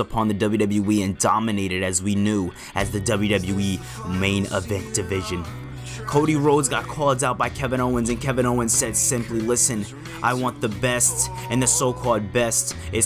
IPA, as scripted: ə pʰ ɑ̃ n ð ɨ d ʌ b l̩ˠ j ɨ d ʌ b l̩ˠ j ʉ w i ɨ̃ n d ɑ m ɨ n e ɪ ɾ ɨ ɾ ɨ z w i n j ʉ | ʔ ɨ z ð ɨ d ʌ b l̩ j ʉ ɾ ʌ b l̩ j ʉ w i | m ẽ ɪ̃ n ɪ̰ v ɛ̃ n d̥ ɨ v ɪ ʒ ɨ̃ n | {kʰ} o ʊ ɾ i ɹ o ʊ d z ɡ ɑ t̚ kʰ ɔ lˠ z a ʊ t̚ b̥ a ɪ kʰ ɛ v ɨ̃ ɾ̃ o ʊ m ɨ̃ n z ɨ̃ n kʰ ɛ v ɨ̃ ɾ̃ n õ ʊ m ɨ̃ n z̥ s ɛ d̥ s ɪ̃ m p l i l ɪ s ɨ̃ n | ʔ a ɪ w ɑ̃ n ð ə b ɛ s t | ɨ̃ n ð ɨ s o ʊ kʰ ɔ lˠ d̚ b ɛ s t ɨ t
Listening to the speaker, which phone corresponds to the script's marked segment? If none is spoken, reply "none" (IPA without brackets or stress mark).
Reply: kʰ